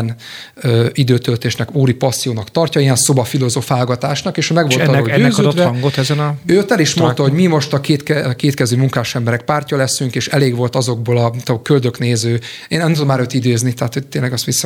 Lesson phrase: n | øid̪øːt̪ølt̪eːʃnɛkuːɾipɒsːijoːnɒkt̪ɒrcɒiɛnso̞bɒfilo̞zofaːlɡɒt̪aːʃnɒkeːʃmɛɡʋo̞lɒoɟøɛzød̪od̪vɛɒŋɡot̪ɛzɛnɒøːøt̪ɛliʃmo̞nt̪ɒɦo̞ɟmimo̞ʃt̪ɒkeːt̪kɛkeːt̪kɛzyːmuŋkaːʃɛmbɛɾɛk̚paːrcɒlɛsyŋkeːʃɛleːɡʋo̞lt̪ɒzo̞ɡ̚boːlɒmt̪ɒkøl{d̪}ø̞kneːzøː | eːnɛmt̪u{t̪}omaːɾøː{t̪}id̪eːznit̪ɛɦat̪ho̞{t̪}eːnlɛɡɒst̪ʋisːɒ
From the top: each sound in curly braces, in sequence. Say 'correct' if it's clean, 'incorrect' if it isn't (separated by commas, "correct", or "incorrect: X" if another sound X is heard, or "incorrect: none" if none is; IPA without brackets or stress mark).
correct, incorrect: d̪, correct, correct